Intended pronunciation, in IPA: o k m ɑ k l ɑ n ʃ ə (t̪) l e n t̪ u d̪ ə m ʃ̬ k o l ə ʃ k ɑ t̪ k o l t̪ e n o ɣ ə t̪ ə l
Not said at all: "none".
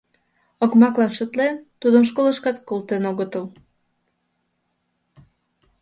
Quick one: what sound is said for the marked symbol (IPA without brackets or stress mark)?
t̪